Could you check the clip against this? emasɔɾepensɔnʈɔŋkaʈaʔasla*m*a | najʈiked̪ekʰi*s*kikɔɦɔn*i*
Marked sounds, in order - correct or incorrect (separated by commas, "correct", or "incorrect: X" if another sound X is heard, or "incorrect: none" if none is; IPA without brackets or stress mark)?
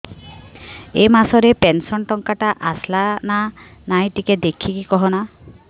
incorrect: n, incorrect: none, incorrect: a